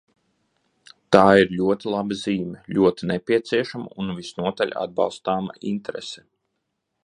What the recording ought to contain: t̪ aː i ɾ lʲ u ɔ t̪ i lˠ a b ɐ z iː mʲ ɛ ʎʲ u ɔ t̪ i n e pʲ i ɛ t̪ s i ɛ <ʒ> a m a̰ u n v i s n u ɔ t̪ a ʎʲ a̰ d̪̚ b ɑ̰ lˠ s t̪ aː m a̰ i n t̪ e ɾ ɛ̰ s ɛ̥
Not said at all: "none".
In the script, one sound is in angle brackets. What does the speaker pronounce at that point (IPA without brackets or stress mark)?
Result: ʃ